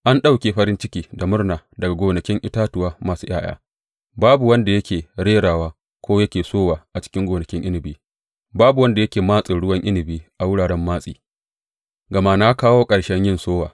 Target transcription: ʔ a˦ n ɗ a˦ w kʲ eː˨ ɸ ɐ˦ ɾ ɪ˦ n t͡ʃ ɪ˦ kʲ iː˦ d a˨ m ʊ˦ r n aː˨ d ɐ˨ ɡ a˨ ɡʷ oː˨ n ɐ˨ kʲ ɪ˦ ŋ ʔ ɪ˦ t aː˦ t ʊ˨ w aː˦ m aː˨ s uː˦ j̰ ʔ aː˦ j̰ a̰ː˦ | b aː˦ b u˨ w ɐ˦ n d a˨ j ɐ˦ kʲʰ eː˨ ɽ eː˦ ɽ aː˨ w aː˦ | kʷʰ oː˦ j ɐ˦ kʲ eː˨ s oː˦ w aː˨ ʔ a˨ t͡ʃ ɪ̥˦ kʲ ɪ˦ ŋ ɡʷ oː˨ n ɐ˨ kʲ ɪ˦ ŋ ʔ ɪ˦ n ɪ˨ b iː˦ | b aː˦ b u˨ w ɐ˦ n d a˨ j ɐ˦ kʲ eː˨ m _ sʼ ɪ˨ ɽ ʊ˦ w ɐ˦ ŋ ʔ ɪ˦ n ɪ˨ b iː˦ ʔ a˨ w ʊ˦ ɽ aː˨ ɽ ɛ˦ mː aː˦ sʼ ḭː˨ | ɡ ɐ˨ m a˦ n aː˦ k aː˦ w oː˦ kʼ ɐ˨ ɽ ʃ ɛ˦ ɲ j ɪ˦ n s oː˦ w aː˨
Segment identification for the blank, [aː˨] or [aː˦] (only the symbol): aː˦